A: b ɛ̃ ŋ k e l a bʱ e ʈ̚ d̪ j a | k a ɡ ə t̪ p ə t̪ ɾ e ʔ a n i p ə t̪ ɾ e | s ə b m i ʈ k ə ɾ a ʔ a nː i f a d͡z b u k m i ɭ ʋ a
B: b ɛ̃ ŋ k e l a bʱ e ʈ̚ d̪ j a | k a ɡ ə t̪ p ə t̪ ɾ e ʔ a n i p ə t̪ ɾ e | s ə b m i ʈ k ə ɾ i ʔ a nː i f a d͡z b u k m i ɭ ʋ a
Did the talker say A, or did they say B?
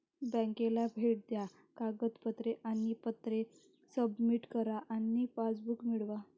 A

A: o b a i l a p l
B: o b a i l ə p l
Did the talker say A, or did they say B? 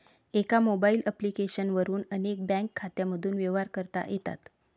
B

